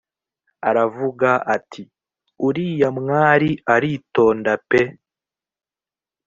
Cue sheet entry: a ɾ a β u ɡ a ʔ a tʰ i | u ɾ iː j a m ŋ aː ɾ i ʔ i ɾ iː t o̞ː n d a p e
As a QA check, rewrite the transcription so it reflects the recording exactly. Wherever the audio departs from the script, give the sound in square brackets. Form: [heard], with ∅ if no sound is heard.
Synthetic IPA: a ɾ a [v] u ɡ a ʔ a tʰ i | u ɾ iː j a m ŋ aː ɾ i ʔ [a] ɾ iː t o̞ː n d a p e